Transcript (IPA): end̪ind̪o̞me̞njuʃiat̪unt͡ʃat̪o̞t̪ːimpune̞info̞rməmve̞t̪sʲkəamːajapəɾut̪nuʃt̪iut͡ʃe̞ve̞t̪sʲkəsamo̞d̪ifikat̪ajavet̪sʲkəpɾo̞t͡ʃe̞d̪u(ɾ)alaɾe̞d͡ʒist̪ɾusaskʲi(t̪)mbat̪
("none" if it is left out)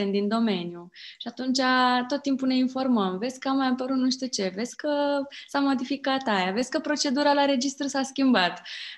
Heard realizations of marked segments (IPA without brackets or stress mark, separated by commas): ɾ, none